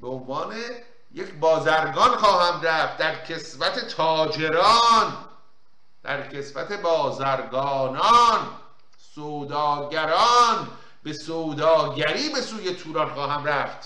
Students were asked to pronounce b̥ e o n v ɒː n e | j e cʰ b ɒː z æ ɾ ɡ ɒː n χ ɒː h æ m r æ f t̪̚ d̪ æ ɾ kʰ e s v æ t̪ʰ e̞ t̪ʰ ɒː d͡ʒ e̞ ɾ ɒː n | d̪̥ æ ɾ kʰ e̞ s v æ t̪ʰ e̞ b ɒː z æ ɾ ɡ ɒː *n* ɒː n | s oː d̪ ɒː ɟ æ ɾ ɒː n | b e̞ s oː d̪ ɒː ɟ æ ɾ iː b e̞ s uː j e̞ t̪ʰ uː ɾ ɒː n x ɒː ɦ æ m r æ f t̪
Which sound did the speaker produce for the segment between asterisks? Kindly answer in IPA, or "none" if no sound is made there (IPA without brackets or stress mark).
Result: n